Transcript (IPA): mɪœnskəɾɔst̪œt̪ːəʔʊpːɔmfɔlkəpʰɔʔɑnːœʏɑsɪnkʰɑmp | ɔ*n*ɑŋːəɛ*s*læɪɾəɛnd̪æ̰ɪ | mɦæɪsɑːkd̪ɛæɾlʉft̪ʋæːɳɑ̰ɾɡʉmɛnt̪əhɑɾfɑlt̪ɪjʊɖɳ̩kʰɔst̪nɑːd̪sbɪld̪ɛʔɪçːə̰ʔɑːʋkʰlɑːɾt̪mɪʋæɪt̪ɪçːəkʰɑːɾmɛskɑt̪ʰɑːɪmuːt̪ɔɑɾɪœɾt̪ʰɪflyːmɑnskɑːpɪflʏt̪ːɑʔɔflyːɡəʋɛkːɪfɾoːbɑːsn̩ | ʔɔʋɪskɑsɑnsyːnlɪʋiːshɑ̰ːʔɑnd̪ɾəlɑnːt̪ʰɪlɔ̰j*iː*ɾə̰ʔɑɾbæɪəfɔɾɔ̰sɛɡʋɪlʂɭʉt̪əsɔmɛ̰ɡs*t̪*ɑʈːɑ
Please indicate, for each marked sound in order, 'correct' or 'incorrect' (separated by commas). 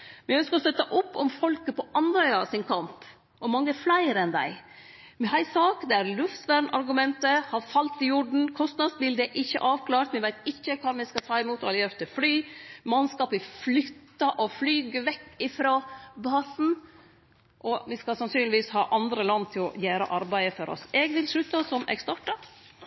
incorrect, incorrect, incorrect, correct